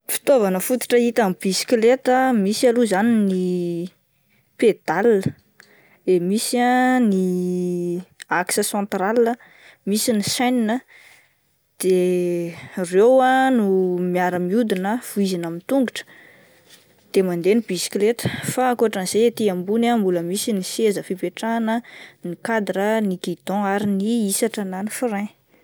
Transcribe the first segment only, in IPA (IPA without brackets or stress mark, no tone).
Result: f